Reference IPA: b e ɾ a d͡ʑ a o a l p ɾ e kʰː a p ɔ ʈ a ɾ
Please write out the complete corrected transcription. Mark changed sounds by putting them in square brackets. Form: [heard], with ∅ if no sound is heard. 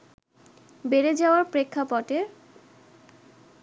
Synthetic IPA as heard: b e ɾ [e] d͡ʑ a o a [ɾ] p ɾ e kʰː a p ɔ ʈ [e] ɾ

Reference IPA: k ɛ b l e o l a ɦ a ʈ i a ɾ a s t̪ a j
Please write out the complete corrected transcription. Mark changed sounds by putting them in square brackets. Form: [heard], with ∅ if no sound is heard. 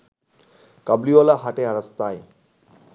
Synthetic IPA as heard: k [a] b l [i] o l a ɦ a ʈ [e] a ɾ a s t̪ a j

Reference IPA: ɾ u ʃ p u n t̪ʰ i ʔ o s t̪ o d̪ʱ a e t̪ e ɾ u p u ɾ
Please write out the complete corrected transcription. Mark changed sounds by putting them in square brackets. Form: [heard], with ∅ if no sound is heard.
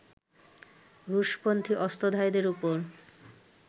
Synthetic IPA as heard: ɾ u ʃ p [o] n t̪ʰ i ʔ [ɔ] s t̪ o d̪ʱ a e [d̪] e ɾ u p [o] ɾ

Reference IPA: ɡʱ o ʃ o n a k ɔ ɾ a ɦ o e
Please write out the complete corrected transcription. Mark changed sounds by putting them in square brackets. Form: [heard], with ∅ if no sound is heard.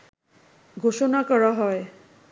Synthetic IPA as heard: ɡʱ o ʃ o n a k ɔ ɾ a ɦ [ɔ] e

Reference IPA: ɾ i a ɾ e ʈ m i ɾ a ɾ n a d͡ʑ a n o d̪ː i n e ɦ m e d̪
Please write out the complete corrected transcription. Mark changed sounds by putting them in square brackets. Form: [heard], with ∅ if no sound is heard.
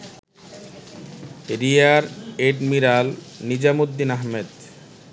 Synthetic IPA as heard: ɾ i a ɾ e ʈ m i ɾ a [l] n [i] d͡ʑ a [m] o d̪ː i n [a] ɦ m e d̪

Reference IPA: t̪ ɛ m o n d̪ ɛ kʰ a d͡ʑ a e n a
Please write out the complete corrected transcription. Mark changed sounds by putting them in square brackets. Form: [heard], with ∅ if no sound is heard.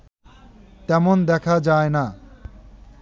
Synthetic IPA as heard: t̪ ɛ m o n d̪ ɛ kʰ a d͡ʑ a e n a

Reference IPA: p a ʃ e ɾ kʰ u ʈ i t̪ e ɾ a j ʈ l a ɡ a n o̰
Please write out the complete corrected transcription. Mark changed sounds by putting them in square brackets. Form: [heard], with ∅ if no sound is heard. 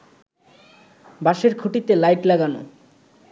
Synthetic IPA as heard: [b] a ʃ e ɾ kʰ u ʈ i t̪ e [l] a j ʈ l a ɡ a n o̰

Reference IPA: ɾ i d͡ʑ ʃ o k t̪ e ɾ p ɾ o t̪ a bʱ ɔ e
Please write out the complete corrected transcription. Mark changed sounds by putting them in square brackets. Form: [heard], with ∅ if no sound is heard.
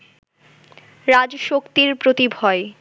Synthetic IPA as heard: ɾ [a] d͡ʑ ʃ o k t̪ [i] ɾ p ɾ o t̪ [i] bʱ ɔ e

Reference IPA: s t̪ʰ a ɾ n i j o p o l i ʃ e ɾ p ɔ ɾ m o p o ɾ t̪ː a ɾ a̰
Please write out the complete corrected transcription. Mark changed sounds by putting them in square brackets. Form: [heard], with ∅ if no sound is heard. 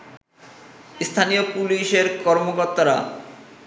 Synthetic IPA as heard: s t̪ʰ a [∅] n i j o p [u] l i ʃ e ɾ [k] ɔ ɾ m o [k] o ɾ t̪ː a ɾ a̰

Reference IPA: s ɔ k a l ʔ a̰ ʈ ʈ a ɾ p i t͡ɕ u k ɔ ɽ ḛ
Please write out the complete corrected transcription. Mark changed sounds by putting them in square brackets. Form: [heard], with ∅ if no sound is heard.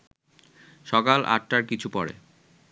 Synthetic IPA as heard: [ʃ] ɔ k a l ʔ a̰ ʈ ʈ a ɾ [k] i [t͡ɕʰ] u [p] ɔ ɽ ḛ

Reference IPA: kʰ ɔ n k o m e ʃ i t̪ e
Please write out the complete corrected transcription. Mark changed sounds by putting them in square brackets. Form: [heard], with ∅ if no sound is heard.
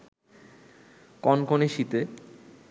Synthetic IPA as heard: [k] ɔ n k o [n] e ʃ i t̪ e

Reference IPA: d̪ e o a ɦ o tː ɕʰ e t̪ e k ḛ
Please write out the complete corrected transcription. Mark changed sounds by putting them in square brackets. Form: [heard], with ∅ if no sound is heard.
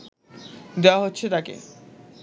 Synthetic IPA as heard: d̪ e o a ɦ o tː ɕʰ e t̪ [a] k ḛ

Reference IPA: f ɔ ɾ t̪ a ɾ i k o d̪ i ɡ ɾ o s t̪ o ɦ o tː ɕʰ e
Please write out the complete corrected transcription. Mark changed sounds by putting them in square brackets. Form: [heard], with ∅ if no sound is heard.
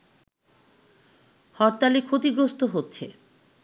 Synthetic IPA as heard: [h] ɔ ɾ t̪ a [l] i [kʰ] o [t̪] i ɡ ɾ o s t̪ o ɦ o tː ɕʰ e

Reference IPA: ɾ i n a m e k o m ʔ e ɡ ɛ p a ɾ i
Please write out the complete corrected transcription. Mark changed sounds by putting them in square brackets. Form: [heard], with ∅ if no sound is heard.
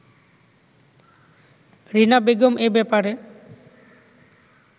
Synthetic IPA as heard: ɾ i n a [b] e [ɡ] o m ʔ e [b] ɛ p a ɾ [e]

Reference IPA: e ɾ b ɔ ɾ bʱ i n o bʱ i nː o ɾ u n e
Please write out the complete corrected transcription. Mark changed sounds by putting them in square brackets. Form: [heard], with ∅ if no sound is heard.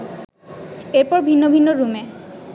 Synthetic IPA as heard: e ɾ [p] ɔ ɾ bʱ i [nː] o bʱ i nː o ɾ u [m] e

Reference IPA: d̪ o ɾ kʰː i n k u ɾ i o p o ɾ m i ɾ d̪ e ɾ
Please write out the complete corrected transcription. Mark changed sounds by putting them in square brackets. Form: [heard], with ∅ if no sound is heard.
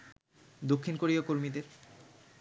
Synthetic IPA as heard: d̪ o [∅] kʰː i n k [o] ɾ i o [k] o ɾ m i [∅] d̪ e ɾ

